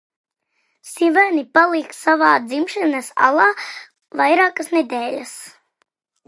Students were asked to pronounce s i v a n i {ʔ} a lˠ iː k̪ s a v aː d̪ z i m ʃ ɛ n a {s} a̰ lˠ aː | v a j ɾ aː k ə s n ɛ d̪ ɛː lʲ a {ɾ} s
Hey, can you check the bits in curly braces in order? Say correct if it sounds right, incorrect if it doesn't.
incorrect, correct, incorrect

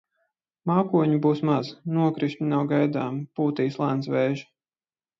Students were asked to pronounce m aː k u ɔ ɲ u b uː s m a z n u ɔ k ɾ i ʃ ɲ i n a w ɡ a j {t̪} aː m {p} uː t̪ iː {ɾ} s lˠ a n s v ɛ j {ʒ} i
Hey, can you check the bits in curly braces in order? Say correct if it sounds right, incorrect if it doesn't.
incorrect, correct, incorrect, correct

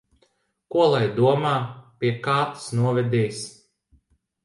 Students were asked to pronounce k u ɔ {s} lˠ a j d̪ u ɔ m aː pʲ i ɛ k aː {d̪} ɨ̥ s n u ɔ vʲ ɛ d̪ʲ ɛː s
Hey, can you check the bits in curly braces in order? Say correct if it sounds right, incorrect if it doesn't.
incorrect, incorrect

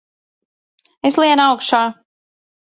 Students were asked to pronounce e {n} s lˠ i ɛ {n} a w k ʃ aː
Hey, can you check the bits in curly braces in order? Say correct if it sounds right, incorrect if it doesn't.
incorrect, correct

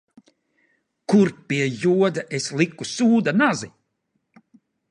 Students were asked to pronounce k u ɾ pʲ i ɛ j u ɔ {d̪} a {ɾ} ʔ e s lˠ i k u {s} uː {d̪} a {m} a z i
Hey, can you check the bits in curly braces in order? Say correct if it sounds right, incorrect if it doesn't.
correct, incorrect, correct, correct, incorrect

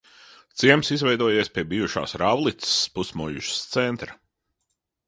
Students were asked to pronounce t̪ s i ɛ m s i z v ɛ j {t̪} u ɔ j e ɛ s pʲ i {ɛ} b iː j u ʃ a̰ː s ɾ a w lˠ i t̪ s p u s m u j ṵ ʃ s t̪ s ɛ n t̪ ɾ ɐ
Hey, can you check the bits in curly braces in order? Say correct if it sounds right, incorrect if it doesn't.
incorrect, correct

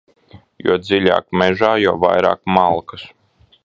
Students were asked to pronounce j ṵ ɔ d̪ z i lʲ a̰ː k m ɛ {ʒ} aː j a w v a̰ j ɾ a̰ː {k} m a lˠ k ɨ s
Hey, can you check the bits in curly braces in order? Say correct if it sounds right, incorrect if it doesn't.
correct, correct

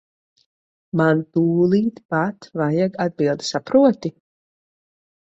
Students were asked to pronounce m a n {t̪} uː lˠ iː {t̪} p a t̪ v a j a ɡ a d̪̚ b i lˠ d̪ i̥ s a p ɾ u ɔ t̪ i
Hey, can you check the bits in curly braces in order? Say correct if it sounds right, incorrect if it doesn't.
correct, correct

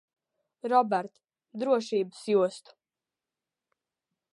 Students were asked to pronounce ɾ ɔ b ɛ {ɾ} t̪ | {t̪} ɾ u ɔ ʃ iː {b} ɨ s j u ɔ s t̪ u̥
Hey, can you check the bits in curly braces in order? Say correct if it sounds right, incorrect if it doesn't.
correct, incorrect, correct

